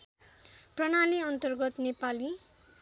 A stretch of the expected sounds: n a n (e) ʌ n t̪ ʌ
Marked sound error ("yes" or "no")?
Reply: yes